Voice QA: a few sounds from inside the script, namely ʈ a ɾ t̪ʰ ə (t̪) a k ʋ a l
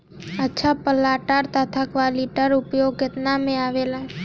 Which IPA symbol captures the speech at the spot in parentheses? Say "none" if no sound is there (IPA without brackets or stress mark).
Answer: t̪ʰ